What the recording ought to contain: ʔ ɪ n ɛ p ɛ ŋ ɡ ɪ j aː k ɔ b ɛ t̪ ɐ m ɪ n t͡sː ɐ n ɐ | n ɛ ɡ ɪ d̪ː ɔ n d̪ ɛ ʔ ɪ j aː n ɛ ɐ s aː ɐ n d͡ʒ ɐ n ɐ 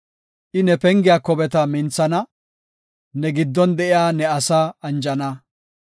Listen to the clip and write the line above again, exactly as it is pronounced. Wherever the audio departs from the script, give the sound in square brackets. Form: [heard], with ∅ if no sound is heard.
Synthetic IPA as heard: ʔ ɪ n ɛ p ɛ ŋ ɡ ɪ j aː k ɔ b ɛ t̪ ɐ m ɪ n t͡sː ɐ n ɐ | n ɛ ɡ ɪ d̪ː ɔ n d̪ ɛ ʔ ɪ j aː n ɛ ɐ s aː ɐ n d͡ʒ ɐ n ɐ